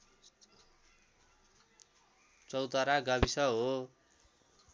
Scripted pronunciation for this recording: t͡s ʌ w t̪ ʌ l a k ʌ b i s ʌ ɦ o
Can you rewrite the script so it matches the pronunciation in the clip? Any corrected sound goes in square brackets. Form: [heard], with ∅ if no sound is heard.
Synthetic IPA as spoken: t͡s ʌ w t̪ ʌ [ɾ] a [ɡ] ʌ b i s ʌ ɦ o